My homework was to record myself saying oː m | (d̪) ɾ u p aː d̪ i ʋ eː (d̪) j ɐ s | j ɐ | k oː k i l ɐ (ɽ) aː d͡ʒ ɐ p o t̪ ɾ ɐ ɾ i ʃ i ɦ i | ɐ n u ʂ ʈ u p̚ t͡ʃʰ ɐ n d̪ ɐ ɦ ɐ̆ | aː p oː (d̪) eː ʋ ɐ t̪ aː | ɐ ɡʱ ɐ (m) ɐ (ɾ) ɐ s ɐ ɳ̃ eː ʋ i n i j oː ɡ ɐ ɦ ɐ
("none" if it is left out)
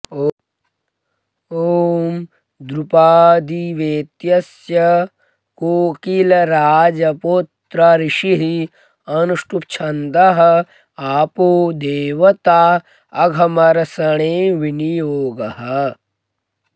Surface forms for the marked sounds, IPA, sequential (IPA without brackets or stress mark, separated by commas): d̪, t̪, ɾ, d̪, m, ɾ